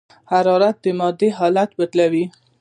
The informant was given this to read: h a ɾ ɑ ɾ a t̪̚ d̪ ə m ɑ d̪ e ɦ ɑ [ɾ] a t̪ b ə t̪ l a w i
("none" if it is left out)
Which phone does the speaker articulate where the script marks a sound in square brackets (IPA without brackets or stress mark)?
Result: l